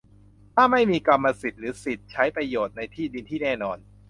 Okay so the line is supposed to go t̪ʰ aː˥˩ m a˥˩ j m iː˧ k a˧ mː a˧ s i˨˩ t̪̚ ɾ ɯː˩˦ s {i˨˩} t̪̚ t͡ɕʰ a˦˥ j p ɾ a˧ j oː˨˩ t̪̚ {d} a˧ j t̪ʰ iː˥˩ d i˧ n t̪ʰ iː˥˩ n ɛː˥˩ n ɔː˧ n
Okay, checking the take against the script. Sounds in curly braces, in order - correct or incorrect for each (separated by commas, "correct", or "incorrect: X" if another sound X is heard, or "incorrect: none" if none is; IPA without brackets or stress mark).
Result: correct, incorrect: n